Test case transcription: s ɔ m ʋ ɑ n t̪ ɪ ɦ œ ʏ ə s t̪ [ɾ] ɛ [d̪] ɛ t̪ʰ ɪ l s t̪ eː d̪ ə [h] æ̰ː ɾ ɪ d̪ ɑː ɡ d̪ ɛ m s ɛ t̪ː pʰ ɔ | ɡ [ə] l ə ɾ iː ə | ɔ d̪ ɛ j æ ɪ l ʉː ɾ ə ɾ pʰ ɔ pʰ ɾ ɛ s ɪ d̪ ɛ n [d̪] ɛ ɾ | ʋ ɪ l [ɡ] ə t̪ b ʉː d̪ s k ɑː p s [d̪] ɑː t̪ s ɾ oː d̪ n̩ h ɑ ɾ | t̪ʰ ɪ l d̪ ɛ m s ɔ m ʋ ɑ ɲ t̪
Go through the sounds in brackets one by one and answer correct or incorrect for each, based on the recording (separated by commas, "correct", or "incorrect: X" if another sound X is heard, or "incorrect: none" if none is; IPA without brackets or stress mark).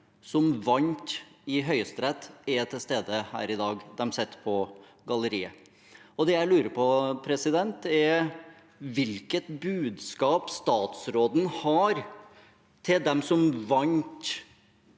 correct, incorrect: t̪, correct, incorrect: ɑ, incorrect: t̪, incorrect: k, incorrect: t̪